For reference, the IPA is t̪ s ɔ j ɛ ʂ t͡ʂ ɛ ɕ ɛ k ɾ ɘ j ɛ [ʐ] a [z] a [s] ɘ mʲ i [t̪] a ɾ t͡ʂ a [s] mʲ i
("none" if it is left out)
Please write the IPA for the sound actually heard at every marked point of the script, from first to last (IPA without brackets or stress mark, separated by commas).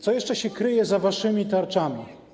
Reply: z, v, ʂ, t̪, none